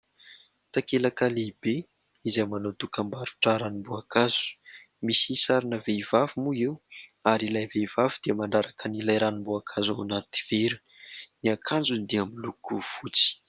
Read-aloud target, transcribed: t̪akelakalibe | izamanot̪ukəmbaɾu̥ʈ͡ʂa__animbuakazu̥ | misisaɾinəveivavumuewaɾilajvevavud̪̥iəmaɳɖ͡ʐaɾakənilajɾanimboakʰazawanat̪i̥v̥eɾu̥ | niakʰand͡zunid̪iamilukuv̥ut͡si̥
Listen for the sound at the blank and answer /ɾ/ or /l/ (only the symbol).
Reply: ɾ